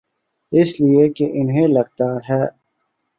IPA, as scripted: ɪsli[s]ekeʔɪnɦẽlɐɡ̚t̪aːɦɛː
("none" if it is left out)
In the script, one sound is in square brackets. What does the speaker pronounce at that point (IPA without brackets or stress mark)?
none